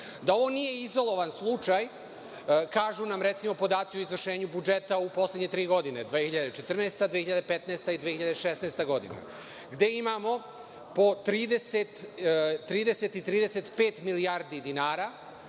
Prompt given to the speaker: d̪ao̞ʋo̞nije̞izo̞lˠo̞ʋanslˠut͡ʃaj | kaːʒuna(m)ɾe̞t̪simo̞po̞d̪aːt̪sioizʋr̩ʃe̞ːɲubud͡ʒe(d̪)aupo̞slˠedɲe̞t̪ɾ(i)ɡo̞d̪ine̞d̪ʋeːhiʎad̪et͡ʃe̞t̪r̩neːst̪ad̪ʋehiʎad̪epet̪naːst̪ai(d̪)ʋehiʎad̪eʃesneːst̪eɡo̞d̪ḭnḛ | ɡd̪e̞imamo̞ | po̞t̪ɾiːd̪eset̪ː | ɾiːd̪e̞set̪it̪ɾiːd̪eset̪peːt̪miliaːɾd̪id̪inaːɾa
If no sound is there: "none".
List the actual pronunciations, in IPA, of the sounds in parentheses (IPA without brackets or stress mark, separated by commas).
m, t̪, iː, d̪